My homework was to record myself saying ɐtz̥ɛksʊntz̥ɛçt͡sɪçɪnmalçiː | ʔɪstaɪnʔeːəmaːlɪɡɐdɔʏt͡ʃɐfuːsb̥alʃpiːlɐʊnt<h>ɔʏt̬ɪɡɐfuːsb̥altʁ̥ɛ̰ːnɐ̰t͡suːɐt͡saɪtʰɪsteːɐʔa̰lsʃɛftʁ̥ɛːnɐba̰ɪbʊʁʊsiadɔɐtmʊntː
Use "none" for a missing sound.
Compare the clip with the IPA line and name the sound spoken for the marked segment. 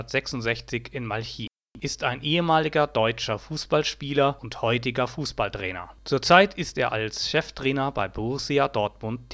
h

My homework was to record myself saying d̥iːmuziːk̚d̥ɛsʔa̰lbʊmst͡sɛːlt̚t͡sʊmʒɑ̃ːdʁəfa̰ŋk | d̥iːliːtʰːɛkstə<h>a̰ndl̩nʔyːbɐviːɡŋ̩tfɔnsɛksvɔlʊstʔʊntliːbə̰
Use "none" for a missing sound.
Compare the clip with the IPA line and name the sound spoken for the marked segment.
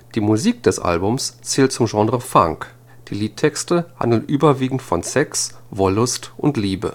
h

